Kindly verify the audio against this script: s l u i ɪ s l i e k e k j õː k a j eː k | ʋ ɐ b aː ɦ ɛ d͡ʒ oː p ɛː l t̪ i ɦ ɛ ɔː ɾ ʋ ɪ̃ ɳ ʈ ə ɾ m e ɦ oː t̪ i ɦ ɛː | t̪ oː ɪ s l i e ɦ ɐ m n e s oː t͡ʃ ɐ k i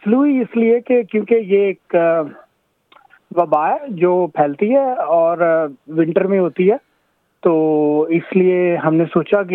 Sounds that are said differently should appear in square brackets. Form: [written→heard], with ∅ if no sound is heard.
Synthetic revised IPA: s l u i ɪ s l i e k e k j õː k [a→e] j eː k | ʋ ɐ b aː ɦ ɛ d͡ʒ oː [p→pʰ] ɛː l t̪ i ɦ ɛ ɔː ɾ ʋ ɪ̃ ɳ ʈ ə ɾ m [e→ẽ] ɦ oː t̪ i ɦ ɛː | t̪ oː ɪ s l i e ɦ ɐ m n e s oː t͡ʃ [ɐ→a] k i